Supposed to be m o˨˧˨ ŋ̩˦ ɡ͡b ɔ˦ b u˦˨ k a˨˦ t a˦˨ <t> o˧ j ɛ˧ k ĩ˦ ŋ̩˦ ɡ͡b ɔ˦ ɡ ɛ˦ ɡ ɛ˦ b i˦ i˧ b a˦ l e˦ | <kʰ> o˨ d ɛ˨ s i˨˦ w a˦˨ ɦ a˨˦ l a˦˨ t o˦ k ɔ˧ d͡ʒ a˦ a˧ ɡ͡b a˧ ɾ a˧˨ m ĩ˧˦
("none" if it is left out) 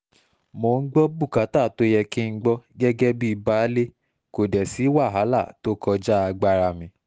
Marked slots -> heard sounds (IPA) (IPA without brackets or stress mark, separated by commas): t, k